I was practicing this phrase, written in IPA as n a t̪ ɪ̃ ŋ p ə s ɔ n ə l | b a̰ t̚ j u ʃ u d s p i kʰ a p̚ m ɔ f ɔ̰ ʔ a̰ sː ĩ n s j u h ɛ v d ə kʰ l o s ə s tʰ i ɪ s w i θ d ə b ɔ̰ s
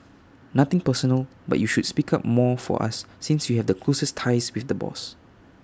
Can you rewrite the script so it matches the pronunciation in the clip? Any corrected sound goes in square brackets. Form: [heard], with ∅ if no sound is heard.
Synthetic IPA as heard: n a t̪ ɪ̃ ŋ p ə s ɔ n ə l | b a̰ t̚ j u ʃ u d s p i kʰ a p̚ m ɔ f ɔ̰ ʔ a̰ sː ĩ n s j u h ɛ v d ə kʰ l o s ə s tʰ [a] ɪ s w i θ d ə b ɔ̰ s